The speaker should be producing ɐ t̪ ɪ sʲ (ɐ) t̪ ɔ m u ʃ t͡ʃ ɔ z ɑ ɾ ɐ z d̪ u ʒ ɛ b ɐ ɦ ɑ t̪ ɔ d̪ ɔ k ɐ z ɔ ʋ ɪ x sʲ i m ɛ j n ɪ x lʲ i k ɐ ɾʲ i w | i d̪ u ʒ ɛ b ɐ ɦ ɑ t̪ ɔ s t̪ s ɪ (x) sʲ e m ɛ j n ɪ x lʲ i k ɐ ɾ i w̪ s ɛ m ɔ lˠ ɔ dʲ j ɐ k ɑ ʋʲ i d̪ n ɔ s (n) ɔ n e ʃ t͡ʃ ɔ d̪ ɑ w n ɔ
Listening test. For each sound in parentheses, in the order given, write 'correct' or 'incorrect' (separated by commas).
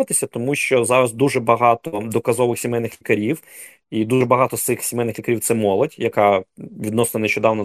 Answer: correct, correct, correct